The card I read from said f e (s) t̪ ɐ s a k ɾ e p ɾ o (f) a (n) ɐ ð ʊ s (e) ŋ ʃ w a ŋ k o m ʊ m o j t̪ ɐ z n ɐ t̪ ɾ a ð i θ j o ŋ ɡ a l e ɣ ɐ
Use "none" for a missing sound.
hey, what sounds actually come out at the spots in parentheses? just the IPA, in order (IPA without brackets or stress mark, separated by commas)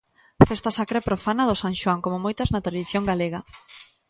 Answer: s, f, n, a